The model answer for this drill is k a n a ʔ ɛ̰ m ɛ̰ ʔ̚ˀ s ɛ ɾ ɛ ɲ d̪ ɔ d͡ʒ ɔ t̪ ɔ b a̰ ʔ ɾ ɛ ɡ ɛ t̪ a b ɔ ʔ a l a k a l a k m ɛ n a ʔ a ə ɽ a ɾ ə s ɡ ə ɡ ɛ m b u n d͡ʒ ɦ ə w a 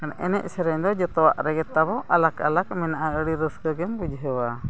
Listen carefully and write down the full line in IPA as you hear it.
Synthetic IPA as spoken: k a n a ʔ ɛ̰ n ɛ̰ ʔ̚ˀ s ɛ ɾ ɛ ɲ d̪ ɔ d͡ʒ ɔ t̪ ɔ w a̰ ʔ ɾ ɛ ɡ ɛ t̪ a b ɔ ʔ a l a k a l a k m ɛ n a ʔ a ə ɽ i ɾ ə s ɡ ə ɡ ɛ m b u d͡ʒ ɦ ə w a